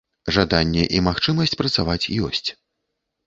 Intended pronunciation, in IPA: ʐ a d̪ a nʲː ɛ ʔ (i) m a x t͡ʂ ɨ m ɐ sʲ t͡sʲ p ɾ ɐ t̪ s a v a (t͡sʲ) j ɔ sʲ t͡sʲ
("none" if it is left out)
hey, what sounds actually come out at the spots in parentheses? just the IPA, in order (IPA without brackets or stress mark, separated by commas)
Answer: i, t͡sʲ